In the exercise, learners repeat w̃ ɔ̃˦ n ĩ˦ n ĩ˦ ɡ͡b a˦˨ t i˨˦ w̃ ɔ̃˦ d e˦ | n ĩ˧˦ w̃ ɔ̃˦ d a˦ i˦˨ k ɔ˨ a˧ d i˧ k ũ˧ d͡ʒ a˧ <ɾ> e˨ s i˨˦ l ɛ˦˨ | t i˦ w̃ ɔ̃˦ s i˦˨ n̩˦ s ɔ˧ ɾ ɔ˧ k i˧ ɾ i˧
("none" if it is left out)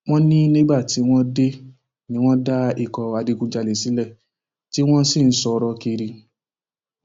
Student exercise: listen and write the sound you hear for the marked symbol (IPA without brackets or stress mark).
l